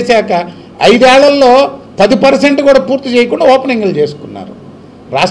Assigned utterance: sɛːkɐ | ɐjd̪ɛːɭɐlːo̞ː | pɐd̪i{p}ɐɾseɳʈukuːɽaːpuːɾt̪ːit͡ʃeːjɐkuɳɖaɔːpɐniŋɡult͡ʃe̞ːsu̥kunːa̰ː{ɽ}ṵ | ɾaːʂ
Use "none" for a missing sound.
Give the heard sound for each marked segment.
p, ɾ

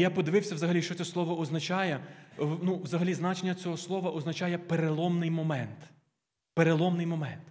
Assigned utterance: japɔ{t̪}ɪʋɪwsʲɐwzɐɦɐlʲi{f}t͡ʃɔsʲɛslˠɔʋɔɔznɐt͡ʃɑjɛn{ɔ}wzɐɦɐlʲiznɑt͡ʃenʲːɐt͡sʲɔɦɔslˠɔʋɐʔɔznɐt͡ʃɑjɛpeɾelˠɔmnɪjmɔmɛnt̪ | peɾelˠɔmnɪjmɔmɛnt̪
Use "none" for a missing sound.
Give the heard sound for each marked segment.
d̪, ʃ, u

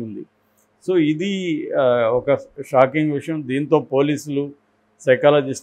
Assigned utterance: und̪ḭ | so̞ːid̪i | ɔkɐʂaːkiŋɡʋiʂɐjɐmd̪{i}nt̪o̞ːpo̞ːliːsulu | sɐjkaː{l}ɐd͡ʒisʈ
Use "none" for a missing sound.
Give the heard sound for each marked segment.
iː, l

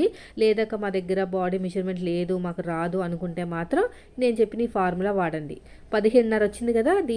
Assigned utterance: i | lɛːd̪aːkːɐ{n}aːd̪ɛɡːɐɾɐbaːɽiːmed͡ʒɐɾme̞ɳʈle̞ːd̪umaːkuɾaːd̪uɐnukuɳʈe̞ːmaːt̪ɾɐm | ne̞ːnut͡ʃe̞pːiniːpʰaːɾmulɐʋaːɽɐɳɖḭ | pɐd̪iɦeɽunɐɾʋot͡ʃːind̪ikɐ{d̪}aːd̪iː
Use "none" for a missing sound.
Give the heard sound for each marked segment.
m, d̪

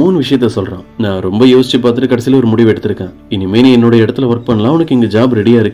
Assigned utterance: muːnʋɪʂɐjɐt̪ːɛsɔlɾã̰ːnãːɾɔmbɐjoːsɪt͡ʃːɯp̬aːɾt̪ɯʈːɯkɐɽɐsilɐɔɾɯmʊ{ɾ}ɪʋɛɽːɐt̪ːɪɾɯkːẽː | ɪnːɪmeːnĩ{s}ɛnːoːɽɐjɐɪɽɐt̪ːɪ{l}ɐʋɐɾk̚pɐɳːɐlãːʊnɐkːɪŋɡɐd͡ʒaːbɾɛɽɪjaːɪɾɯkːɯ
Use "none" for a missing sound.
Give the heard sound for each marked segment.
ɽ, none, l

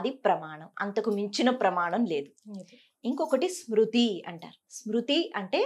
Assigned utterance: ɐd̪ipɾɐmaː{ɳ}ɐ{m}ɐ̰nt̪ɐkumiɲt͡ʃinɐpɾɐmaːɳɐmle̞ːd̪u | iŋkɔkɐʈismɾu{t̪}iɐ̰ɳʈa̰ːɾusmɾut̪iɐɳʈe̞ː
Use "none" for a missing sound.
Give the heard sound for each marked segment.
ɳ, m, t̪

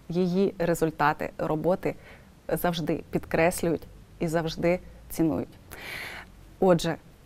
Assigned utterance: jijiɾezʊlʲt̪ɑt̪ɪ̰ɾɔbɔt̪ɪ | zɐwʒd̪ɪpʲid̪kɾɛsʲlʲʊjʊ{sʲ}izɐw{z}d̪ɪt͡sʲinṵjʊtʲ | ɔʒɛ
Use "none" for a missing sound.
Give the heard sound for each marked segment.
tʲ, ʒ

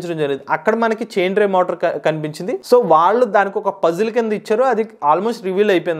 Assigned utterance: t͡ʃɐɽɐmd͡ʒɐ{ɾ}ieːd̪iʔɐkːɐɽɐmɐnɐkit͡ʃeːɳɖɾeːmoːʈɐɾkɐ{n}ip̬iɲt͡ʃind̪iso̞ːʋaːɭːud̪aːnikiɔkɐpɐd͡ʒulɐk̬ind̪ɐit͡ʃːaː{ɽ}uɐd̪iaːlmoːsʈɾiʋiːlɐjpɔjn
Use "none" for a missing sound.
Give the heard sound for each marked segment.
ɾ, n, ɾ

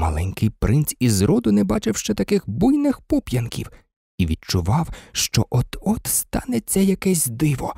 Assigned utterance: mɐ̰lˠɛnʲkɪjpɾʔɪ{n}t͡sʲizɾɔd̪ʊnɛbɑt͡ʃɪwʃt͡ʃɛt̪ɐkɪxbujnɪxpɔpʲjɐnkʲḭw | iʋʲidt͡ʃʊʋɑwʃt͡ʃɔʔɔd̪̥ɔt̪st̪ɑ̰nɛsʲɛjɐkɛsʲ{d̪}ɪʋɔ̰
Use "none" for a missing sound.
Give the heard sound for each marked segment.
n, d̪

